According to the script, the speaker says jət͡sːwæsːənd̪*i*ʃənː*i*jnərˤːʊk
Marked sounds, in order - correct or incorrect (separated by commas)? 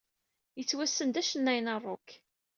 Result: incorrect, incorrect